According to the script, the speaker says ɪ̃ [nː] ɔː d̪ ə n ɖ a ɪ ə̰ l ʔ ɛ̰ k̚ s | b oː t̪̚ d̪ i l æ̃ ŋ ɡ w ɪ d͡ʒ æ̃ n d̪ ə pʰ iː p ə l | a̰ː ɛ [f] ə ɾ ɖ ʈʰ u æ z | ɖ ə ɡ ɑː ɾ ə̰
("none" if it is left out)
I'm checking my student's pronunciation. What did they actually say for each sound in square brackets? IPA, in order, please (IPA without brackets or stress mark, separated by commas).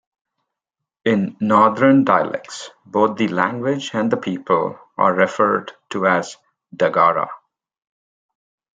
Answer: nː, f